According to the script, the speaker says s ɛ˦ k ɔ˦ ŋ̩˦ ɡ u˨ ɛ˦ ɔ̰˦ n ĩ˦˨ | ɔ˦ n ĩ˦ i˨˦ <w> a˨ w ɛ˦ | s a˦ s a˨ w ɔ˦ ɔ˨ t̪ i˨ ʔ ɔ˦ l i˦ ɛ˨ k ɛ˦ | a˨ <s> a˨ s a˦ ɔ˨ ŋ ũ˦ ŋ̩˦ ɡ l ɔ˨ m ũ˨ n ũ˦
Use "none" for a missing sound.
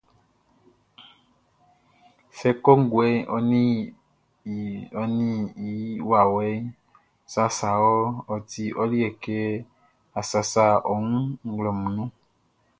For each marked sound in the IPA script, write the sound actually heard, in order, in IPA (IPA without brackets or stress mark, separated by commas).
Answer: w, s